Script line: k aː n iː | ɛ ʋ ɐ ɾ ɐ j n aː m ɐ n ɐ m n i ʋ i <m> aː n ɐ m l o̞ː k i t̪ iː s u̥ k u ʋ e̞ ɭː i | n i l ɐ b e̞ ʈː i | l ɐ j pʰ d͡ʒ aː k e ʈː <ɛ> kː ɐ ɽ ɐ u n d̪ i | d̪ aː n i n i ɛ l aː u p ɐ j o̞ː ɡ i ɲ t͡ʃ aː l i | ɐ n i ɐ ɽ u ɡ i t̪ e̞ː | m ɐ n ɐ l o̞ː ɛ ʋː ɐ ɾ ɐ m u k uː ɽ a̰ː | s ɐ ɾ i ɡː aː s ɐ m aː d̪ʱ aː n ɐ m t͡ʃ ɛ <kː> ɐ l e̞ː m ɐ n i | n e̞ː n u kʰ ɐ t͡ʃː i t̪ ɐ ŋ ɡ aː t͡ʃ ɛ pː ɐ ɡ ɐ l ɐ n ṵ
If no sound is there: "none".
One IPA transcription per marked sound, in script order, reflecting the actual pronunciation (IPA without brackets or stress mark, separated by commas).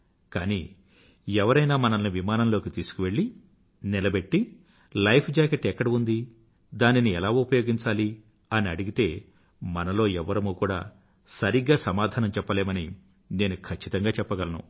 m, ɛ, pː